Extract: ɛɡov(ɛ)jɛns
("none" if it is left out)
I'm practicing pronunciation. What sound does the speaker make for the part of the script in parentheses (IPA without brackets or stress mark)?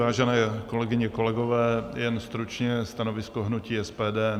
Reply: ɛː